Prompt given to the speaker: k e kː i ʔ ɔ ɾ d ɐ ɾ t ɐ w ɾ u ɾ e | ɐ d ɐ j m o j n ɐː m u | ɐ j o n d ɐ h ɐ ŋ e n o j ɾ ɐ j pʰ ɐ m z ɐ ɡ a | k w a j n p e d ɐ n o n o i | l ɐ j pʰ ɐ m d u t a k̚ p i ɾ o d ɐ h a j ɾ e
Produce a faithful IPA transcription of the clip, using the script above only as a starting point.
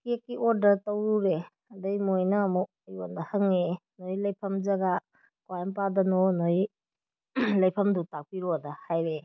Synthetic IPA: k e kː i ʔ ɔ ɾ d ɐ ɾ t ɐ w ɾ u ɾ e | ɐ d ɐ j m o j n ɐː m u | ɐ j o n d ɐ h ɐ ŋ e n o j l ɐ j pʰ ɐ m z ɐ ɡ a | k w a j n p a d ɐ n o n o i | l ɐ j pʰ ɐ m d u t a k̚ p i ɾ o d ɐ h a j ɾ e